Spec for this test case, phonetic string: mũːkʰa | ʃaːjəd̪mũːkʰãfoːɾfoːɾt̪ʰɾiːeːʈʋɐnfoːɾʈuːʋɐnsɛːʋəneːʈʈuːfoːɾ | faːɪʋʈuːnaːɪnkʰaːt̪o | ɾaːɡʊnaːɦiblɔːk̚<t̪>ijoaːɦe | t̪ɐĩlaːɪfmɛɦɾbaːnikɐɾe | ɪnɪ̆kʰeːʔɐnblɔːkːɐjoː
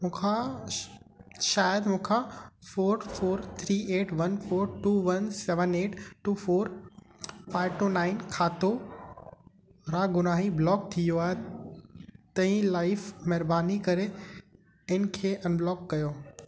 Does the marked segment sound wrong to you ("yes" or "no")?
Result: yes